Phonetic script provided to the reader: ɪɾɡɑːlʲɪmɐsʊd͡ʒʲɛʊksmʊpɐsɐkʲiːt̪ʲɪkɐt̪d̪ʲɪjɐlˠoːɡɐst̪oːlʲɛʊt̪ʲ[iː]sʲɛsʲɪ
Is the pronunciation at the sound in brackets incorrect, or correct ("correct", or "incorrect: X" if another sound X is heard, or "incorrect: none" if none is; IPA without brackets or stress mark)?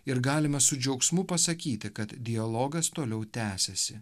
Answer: incorrect: æː